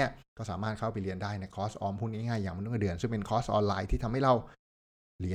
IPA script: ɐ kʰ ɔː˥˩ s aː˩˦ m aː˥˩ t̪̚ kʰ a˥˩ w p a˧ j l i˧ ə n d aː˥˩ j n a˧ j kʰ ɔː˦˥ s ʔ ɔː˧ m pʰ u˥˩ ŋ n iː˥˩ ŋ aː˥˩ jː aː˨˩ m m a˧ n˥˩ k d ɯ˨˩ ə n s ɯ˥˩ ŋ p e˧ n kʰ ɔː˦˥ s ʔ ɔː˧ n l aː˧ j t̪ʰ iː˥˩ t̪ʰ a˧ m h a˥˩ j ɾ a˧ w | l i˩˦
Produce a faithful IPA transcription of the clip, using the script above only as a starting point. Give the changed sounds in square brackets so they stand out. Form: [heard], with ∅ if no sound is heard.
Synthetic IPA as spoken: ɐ [k] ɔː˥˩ s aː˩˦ m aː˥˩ t̪̚ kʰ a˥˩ w p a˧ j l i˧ ə n d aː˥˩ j n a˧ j kʰ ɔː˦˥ s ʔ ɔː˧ m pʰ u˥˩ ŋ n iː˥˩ ŋ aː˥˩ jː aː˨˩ [ŋ] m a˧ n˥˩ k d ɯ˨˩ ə n s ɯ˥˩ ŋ p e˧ n kʰ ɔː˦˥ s ʔ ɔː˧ n l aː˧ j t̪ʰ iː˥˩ t̪ʰ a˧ m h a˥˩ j ɾ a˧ w | l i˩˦